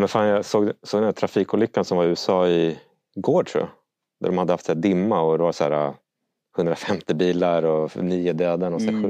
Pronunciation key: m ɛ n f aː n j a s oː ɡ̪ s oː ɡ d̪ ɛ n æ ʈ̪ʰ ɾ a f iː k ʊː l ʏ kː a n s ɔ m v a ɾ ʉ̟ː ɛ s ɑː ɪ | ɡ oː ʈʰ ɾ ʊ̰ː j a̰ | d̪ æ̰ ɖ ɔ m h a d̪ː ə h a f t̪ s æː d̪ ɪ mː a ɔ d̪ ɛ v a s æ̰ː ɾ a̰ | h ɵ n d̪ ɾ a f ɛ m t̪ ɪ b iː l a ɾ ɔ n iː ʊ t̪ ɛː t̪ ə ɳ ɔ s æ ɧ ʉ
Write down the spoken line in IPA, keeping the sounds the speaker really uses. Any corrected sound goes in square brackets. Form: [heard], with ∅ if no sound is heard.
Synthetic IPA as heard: m ɛ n f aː n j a s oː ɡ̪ s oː ɡ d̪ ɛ n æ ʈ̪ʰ ɾ a f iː k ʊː l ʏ kː a n s ɔ m v a ɾ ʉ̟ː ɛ s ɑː ɪ | ɡ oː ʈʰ ɾ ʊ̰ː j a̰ | d̪ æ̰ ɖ ɔ m h a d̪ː ə h a f t̪ s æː d̪ ɪ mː a ɔ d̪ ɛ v a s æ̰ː ɾ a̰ | h ɵ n d̪ ɾ a f ɛ m t̪ ɪ b iː l a ɾ ɔ n iː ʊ [d̪] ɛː [d̪] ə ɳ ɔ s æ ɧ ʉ